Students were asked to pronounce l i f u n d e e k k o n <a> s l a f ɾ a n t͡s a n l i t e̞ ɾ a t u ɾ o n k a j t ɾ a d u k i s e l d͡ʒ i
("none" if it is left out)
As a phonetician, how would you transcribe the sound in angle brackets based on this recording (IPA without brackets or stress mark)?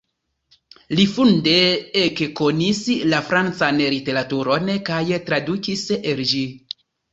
i